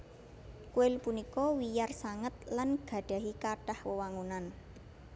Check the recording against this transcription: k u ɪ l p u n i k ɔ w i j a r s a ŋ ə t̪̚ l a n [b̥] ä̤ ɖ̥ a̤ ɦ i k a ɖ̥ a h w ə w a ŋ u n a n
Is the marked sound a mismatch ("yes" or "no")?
yes